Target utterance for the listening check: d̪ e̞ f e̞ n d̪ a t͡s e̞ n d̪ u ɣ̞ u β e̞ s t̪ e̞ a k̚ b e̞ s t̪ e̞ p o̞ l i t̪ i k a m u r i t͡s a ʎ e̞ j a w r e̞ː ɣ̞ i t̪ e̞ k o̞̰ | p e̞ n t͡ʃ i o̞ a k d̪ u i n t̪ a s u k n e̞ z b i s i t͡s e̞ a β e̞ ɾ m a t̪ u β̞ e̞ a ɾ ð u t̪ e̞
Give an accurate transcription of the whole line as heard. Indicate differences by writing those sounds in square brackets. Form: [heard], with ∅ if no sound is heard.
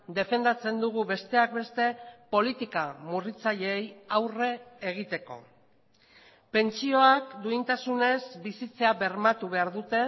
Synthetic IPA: d̪ e̞ f e̞ n d̪ a t͡s e̞ n d̪ u ɣ̞ u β e̞ s t̪ e̞ a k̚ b e̞ s t̪ e̞ p o̞ l i t̪ i k a m u r i t͡s a ʎ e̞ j a w r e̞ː ɣ̞ i t̪ e̞ k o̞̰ | p e̞ n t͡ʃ i o̞ a k d̪ u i n t̪ a s u [∅] n e̞ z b i s i t͡s e̞ a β e̞ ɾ m a t̪ u β̞ e̞ a ɾ ð u t̪ e̞